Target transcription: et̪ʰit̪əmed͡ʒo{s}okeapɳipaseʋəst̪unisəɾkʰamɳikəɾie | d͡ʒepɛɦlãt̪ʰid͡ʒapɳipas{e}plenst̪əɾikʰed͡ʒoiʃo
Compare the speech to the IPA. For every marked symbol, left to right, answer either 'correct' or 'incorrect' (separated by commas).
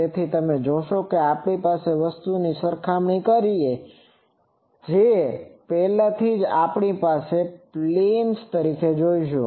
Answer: incorrect, correct